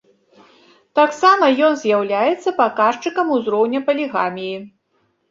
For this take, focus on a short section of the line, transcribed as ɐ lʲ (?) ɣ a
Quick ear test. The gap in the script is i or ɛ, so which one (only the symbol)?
i